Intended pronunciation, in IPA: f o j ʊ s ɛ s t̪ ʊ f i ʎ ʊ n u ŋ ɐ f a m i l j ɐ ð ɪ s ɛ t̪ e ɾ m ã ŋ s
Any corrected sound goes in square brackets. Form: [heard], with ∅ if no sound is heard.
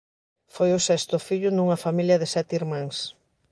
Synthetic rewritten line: f o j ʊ s ɛ s t̪ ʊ f i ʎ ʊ n u ŋ ɐ f a m i l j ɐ ð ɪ s ɛ t̪ [i] ɾ m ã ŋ s